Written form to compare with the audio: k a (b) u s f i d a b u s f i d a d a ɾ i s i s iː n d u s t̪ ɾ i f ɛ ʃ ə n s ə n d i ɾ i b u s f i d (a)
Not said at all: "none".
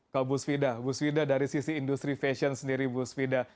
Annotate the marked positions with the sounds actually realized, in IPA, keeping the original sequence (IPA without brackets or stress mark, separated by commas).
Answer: b, a